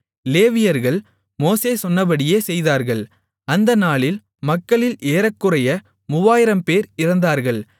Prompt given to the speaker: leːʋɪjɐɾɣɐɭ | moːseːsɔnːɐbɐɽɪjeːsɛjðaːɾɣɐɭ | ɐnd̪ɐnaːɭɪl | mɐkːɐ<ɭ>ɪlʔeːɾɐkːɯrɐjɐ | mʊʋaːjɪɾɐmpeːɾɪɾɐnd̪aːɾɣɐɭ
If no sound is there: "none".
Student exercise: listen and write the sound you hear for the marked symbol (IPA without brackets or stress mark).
ɭ